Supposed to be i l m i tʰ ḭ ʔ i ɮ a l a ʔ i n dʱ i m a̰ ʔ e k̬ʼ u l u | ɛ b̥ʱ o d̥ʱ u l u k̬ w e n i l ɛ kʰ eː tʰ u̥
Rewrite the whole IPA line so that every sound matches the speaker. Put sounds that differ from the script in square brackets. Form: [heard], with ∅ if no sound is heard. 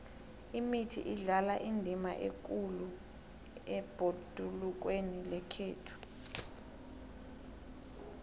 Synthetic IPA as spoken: i [∅] m i tʰ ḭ ʔ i ɮ a l a ʔ i n dʱ i m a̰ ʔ e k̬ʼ u l u | ɛ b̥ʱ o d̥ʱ u l u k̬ w e n i l ɛ kʰ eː tʰ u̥

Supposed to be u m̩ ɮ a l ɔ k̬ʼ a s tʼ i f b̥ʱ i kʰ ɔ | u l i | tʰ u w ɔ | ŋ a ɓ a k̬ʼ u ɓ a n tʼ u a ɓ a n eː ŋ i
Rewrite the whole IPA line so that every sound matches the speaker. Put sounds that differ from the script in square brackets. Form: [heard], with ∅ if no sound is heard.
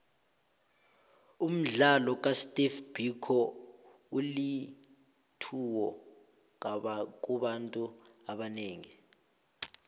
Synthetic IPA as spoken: u m̩ ɮ a l ɔ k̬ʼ a s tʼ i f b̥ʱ i kʰ ɔ | u l i | tʰ u w ɔ | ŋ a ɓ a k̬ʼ u ɓ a n tʼ u a ɓ a n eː ŋ i

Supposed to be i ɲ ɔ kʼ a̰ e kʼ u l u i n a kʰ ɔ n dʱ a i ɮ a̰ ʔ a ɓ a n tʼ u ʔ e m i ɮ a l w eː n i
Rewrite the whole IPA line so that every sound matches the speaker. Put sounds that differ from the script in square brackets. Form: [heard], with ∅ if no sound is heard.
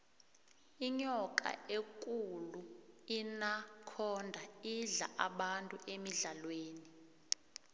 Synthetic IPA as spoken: i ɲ ɔ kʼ a̰ e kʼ u l u i n a kʰ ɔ n dʱ a i ɮ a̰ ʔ a ɓ a n tʼ u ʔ e m i ɮ a l w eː n i

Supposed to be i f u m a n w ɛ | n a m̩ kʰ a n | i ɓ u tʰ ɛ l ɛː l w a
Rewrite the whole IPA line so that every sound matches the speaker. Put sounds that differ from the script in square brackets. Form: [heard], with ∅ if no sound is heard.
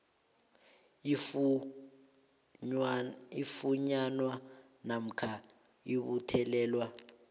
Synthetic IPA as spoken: i f u [ɲ] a n w [a] | n a m̩ kʰ a [∅] | i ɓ u tʰ ɛ l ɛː l w a

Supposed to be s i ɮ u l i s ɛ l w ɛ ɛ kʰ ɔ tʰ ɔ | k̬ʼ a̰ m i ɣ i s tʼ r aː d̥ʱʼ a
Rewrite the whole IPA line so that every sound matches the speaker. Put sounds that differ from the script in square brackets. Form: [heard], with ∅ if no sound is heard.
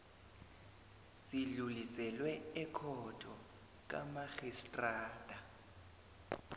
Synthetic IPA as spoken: s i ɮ u l i s ɛ l w ɛ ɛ kʰ ɔ tʰ ɔ | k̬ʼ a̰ m [a] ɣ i s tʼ r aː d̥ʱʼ a

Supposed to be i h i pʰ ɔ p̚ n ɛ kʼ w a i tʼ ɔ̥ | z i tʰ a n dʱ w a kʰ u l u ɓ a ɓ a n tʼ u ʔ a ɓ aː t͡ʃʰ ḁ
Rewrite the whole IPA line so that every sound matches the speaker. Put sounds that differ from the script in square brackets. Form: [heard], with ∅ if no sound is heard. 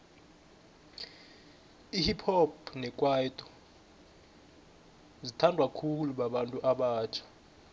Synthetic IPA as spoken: i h i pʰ ɔ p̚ n ɛ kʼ w a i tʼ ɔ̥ | z i tʰ a n dʱ w a kʰ u l u ɓ a ɓ a n tʼ u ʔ a ɓ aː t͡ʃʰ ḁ

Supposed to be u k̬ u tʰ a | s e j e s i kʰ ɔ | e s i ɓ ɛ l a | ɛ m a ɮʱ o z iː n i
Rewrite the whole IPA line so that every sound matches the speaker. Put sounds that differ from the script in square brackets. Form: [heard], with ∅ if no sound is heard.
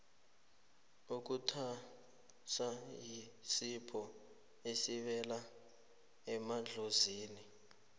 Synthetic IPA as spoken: u k̬ u tʰ a | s [a] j [i] s i [pʰ] ɔ | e s i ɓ ɛ l a | ɛ m a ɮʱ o z iː n i

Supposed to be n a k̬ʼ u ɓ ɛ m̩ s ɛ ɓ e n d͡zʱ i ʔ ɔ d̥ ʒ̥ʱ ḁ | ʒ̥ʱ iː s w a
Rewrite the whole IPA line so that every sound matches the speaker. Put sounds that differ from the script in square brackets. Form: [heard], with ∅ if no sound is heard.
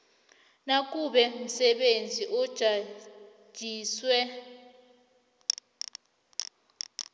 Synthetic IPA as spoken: n a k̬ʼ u ɓ ɛ m̩ s ɛ ɓ e n d͡zʱ i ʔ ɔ d̥ ʒ̥ʱ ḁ | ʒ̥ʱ iː s w [ɛ]

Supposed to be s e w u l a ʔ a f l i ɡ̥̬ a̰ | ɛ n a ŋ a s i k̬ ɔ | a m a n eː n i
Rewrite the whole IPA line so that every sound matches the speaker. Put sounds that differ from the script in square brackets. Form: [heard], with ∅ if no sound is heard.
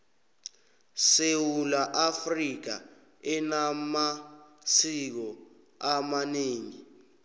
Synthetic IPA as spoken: s e w u l a ʔ a f [r] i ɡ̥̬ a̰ | ɛ n a [m] a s i k̬ ɔ | a m a n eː [ŋ] i

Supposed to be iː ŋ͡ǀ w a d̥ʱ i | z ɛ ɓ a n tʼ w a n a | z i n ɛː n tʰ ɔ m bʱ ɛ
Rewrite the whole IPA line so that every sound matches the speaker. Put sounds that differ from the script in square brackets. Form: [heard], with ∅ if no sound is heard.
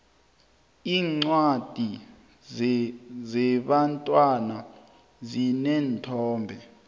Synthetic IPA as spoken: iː ŋ͡ǀ w a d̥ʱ i | z ɛ ɓ a n tʼ w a n a | z i n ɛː n tʰ [ɔː] m bʱ ɛ

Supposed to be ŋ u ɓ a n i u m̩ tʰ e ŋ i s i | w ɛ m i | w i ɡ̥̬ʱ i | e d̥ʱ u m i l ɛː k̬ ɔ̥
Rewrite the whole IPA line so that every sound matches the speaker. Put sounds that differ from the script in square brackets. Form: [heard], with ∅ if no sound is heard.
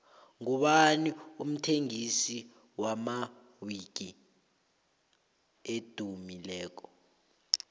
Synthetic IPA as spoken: ŋ u ɓ a n i u m̩ tʰ e ŋ i s i | w [a] m [a] | w i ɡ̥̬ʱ i | e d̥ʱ u m i l ɛː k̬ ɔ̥

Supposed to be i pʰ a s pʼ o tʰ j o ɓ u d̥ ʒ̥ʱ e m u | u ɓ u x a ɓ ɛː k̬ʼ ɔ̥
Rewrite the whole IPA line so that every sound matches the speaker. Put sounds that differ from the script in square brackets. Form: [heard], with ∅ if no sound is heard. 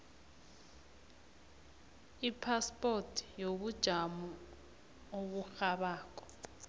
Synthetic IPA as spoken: i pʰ a s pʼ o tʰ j o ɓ u d̥ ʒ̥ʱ [a] m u | [o] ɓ u x a ɓ [aː] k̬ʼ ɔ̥

